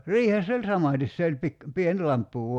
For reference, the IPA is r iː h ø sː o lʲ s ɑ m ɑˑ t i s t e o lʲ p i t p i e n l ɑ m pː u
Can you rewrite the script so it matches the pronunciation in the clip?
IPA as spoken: r iː h e sː o lʲ s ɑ m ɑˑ t i s s e o lʲ p i k p i e n l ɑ m pː u